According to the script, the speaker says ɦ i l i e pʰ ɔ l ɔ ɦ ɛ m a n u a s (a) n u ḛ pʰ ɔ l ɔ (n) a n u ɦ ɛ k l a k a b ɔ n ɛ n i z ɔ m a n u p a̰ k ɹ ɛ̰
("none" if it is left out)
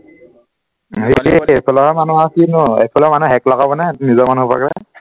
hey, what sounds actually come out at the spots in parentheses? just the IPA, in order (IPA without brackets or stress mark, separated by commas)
i, m